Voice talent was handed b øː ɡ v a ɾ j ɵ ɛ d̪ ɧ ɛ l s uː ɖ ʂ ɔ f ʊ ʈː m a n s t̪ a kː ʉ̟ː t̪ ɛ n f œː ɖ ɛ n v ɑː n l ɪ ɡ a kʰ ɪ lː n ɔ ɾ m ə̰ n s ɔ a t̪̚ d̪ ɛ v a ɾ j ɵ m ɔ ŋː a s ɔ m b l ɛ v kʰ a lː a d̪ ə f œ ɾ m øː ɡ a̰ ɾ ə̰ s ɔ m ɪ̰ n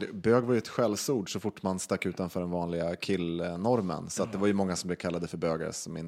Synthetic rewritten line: b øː ɡ v a ɾ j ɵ ɛ t̪ ɧ ɛ l s uː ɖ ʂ ɔ f ʊ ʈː m a n s t̪ a kː ʉ̟ː t̪ a n f œː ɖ ɛ n v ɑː n l ɪ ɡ a kʰ ɪ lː n ɔ ɾ m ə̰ n s ɔ a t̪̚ d̪ ɛ v a ɾ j ɵ m ɔ ŋː a s ɔ m b l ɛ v kʰ a lː a d̪ ə f œ ɾ b øː ɡ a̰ ɾ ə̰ s ɔ m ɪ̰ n